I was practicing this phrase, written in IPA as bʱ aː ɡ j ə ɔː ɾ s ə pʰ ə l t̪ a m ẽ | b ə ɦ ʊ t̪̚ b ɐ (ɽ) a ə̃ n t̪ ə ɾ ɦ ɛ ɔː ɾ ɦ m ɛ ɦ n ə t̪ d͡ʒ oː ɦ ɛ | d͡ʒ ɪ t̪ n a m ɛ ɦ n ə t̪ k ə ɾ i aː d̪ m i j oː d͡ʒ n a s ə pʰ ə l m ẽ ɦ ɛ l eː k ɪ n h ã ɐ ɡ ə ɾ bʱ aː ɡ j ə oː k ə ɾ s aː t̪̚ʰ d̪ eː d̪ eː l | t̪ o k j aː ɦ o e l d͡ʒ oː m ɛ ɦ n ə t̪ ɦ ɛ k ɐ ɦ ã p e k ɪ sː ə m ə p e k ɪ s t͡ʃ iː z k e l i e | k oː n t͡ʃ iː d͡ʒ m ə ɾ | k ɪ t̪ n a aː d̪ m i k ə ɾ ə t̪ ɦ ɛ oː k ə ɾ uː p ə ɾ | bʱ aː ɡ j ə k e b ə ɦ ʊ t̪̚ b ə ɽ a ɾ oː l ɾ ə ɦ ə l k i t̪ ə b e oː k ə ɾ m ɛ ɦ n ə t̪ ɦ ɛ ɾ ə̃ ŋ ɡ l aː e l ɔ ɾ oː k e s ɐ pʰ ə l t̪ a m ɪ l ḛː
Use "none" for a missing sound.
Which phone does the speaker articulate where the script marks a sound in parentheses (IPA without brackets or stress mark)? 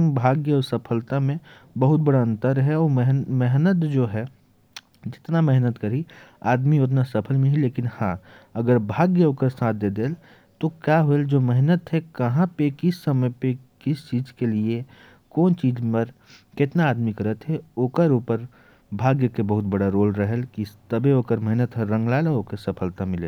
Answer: ɽ